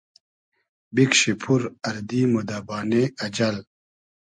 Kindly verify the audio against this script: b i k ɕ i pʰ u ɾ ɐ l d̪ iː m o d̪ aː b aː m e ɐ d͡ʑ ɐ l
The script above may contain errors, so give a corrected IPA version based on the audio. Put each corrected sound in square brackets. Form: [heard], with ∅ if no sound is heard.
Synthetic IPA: b i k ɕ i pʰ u ɾ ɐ [ɾ] d̪ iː m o d̪ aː b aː [n] e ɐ d͡ʑ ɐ l